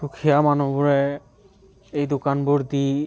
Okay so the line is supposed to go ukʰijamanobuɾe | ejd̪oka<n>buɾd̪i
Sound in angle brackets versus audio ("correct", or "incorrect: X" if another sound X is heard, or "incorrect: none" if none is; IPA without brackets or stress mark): correct